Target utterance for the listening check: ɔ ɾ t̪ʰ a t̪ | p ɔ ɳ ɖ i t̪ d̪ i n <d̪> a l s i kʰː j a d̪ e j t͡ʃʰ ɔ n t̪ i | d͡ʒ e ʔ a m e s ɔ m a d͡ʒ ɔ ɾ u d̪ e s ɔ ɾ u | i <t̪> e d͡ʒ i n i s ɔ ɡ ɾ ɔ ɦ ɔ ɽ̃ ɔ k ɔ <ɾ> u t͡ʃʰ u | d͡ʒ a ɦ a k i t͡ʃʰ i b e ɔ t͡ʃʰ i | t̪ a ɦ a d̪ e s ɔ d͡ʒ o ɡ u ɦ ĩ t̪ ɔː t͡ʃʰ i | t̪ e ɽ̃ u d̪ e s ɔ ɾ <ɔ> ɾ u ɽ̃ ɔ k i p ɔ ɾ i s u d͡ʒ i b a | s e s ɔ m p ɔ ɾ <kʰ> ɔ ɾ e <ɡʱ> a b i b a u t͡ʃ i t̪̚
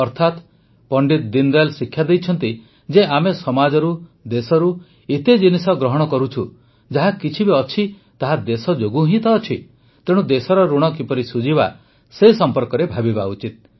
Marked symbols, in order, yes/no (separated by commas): yes, yes, yes, yes, no, no